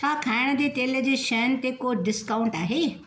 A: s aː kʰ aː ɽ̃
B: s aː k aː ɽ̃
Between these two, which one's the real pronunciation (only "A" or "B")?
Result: A